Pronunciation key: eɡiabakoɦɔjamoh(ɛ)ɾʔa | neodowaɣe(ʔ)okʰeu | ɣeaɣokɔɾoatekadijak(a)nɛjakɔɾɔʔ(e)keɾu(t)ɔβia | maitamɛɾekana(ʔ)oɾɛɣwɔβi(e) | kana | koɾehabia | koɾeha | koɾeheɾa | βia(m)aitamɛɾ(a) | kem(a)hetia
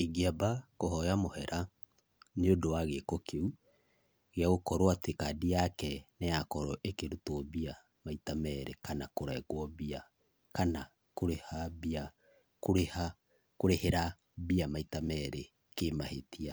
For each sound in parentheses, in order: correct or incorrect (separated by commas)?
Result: correct, incorrect, incorrect, correct, correct, incorrect, incorrect, correct, incorrect, correct